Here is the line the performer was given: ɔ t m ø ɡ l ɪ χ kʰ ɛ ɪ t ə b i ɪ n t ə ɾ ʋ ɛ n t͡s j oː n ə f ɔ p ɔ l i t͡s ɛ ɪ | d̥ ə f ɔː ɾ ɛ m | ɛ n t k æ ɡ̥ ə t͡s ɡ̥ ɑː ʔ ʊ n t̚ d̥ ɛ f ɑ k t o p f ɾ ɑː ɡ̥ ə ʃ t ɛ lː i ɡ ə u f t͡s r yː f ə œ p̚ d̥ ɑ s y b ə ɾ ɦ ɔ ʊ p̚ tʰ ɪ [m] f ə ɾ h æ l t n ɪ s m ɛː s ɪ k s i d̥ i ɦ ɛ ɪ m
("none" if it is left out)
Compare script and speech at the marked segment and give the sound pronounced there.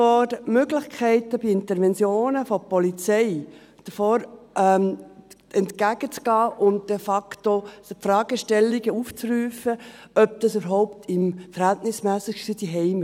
m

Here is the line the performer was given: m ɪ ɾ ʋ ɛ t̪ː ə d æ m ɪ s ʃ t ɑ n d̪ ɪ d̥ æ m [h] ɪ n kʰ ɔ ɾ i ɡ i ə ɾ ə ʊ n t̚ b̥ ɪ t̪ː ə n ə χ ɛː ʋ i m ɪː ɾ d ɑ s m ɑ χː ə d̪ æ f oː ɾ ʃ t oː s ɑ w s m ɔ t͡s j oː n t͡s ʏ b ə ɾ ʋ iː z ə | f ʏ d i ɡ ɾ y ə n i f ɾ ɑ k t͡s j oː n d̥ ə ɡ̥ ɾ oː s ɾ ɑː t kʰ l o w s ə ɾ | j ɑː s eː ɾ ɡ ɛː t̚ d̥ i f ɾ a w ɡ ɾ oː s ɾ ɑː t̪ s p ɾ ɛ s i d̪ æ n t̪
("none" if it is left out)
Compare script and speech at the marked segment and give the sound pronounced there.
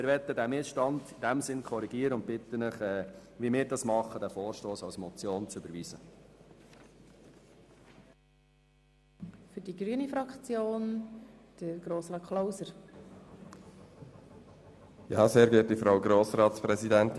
s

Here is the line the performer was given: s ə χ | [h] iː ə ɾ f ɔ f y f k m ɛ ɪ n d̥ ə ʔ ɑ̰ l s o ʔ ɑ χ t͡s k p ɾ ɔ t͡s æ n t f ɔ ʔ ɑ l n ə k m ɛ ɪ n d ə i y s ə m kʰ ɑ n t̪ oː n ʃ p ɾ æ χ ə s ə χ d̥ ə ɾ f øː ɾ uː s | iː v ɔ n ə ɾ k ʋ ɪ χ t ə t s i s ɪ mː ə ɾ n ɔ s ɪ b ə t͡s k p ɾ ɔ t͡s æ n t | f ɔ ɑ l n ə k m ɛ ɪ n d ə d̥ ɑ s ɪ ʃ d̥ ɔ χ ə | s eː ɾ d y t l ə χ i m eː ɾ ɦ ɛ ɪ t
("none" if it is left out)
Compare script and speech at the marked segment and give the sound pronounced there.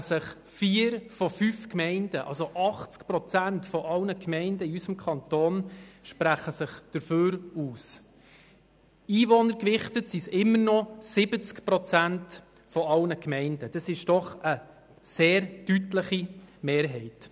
f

